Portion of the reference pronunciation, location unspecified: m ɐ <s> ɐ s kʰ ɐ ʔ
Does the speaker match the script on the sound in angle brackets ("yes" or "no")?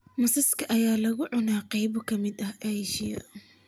yes